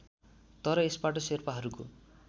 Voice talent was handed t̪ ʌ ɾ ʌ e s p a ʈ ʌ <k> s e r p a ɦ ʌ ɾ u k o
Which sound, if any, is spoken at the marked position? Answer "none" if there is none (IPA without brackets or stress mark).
none